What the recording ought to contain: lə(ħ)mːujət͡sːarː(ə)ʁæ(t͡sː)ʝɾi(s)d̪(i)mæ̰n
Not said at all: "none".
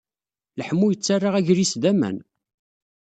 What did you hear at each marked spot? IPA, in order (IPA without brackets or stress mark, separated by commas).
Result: ħ, a, none, s, æ